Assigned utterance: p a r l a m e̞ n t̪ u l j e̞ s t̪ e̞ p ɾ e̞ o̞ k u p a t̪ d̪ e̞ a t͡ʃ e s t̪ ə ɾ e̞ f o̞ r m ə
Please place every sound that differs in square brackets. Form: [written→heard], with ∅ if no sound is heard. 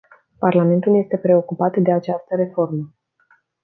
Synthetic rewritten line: p a r l a m e̞ n t̪ u l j e̞ s t̪ e̞ p ɾ e̞ o̞ k u p a t̪ d̪ e̞ a t͡ʃ [e→a] s t̪ ə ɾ e̞ f o̞ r m ə